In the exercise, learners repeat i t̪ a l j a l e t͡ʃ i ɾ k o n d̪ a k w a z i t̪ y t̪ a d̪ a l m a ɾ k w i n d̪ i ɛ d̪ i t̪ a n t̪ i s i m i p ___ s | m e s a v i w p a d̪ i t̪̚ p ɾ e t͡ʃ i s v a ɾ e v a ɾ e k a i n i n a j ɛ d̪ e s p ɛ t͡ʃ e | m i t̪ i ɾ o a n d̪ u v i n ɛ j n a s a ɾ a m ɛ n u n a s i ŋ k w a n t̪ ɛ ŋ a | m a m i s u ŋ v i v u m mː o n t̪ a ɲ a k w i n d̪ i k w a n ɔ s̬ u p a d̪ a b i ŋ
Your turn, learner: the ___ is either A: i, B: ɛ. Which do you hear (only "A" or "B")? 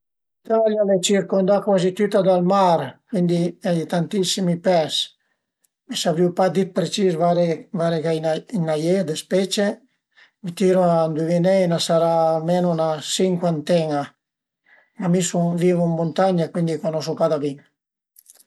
B